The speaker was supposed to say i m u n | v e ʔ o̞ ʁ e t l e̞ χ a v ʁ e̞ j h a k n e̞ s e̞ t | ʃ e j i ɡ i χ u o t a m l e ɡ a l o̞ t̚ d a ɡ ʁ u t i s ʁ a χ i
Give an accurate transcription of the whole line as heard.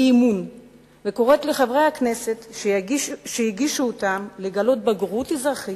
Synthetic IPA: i m u n | v e k o̞ ʁ e t l e̞ χ a v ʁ e̞ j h a k n e̞ s e̞ t | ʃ e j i ɡ i ʃ u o t a m l e ɡ a l o̞ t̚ b a ɡ ʁ u t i z ʁ a χ i